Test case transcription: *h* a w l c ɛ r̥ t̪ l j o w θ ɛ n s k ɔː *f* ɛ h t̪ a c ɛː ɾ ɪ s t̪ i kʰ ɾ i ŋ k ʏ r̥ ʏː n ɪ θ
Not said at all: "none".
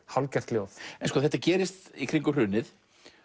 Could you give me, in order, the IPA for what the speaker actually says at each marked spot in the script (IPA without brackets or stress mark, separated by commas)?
h, θ